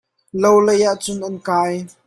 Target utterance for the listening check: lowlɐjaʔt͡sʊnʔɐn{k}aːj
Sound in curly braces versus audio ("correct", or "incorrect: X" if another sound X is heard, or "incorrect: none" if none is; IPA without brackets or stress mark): correct